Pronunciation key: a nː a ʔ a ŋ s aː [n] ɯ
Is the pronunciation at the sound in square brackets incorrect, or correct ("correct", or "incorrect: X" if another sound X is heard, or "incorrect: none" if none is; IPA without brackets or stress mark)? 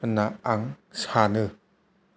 correct